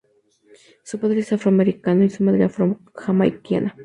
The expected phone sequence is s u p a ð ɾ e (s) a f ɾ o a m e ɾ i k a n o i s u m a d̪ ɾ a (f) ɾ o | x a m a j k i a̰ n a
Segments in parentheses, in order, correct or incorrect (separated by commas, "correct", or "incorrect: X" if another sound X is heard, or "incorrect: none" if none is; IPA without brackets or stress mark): correct, correct